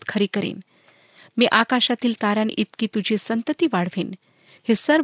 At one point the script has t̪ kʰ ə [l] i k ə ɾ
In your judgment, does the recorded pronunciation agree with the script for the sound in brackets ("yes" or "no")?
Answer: no